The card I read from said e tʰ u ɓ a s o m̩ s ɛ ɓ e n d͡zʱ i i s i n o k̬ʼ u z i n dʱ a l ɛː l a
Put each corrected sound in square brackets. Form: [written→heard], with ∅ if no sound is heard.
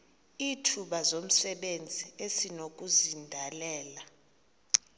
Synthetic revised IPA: [e→i] tʰ u ɓ a [s→z] o m̩ s ɛ ɓ e n d͡zʱ i [i→e] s i n o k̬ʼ u z i n dʱ a l ɛː l a